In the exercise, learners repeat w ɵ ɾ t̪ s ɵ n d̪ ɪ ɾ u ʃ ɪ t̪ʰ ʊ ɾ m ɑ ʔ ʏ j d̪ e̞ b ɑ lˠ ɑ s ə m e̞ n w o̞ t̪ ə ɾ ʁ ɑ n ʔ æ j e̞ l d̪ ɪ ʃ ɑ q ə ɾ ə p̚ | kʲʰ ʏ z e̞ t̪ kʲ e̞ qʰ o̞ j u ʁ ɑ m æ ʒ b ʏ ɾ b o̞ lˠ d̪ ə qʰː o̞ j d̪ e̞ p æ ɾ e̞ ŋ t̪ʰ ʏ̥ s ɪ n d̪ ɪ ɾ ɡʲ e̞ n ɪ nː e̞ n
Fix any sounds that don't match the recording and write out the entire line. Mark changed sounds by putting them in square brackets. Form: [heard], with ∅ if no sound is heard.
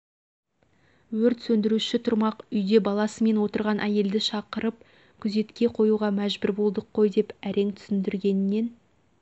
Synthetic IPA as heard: w ɵ ɾ t̪ s ɵ n d̪ ɪ ɾ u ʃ ɪ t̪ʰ ʊ ɾ m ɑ [q] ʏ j d̪ e̞ b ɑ lˠ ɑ s ə m e̞ n w o̞ t̪ ə ɾ ʁ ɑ n ʔ æ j e̞ l d̪ ɪ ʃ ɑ q ə ɾ ə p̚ | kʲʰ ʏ z e̞ t̪ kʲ e̞ qʰ o̞ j u ʁ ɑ m æ ʒ b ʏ ɾ b o̞ lˠ d̪ ə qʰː o̞ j d̪ e̞ p æ ɾ e̞ ŋ t̪ʰ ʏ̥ s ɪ n d̪ ɪ ɾ ɡʲ e̞ n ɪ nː e̞ n